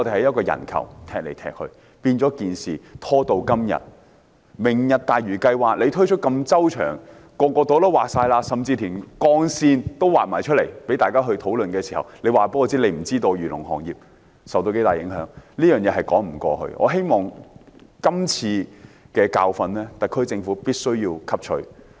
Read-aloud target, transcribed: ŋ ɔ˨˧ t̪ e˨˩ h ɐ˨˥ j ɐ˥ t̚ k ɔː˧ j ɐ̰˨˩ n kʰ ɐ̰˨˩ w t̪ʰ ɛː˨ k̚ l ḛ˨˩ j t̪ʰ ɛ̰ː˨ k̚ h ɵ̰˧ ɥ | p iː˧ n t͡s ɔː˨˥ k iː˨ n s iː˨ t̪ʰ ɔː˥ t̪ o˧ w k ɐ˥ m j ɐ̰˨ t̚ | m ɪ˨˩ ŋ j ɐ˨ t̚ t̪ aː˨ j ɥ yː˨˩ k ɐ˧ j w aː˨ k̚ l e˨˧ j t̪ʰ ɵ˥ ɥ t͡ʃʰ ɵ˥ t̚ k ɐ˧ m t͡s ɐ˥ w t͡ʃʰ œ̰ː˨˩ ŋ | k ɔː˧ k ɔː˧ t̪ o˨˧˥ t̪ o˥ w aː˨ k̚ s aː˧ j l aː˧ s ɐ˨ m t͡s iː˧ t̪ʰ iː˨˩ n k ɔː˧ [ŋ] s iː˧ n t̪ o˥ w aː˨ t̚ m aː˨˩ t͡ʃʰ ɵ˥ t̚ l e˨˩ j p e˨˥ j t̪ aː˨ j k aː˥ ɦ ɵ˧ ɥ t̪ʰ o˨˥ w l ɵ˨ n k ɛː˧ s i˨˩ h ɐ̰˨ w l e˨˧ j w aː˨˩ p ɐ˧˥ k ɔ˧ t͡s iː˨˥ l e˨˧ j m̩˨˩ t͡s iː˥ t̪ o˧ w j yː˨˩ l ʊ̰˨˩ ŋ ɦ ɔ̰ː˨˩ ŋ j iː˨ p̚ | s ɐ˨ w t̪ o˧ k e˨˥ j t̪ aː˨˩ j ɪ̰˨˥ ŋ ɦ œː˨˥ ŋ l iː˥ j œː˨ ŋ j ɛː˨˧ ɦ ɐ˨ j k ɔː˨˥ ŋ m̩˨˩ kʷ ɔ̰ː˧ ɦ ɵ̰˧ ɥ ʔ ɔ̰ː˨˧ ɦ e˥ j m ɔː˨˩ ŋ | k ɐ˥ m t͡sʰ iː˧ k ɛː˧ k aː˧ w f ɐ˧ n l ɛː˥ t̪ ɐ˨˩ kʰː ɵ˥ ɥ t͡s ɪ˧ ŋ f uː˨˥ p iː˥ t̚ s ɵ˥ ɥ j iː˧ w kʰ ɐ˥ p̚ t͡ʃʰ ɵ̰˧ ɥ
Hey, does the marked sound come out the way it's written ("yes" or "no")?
yes